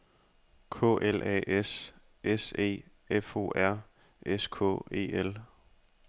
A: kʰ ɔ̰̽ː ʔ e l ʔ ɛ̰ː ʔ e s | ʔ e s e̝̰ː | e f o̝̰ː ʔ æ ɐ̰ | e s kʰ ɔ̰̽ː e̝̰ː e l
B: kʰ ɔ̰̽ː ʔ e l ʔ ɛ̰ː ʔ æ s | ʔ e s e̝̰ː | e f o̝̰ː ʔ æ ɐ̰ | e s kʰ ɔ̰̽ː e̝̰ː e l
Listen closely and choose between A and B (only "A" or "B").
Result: A